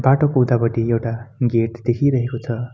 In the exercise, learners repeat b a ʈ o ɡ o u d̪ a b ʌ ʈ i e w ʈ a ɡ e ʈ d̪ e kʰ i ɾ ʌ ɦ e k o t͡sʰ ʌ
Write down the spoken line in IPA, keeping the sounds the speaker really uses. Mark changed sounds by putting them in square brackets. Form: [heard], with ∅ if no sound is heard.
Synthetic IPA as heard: b a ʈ o [k] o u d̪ a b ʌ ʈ i e w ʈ a ɡ e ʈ d̪ e kʰ i ɾ ʌ ɦ e k o t͡sʰ ʌ